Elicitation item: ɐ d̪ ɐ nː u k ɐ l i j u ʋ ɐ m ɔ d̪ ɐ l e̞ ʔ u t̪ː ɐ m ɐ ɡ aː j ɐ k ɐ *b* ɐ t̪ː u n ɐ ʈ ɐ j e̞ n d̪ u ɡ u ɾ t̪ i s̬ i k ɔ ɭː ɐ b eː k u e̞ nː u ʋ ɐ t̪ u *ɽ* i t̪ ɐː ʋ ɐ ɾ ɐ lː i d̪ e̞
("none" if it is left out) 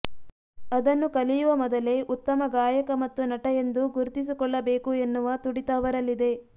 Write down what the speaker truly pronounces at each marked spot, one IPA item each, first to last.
m, ɽ

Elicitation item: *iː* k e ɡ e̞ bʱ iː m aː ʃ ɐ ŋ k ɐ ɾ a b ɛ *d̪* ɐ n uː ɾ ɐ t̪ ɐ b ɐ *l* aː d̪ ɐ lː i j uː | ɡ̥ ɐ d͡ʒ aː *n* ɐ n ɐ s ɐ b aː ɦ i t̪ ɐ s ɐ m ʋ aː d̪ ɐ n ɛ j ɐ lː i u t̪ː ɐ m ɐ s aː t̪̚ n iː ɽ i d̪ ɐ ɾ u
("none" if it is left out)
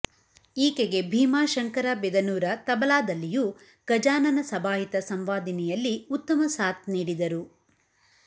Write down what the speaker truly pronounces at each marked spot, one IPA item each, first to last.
iː, d̪, l, n

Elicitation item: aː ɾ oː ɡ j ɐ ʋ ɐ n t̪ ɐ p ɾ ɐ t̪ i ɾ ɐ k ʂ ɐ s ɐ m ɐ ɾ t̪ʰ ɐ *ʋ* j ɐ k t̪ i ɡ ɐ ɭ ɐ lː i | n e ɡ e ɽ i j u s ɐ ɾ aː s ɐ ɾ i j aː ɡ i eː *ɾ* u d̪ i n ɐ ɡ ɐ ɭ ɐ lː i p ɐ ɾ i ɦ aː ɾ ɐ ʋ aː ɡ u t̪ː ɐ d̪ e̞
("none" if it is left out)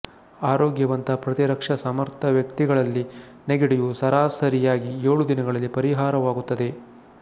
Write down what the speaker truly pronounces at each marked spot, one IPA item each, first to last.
ʋ, ɭ

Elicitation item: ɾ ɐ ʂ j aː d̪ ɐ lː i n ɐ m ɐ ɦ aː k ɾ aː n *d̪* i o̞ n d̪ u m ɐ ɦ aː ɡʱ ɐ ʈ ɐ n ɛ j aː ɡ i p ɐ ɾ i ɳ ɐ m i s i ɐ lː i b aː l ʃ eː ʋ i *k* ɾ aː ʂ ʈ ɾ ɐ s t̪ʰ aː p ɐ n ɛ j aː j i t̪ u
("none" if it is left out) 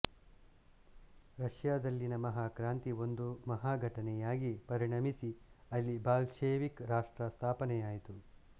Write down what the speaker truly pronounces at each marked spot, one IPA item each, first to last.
t̪, k

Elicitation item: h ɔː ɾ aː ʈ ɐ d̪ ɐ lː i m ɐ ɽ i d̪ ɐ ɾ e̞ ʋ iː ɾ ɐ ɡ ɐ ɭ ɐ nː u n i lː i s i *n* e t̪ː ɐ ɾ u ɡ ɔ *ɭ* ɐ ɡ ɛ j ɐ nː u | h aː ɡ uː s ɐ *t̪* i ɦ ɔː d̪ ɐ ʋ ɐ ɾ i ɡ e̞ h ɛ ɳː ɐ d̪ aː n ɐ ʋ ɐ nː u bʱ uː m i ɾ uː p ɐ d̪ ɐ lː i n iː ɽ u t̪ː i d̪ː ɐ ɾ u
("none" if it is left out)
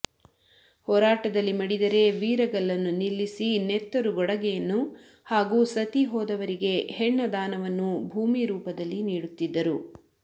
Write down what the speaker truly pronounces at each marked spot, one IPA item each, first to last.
n, ɽ, t̪

